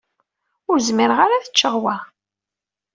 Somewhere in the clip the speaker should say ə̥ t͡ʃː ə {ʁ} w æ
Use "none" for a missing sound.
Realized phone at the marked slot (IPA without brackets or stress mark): ʁ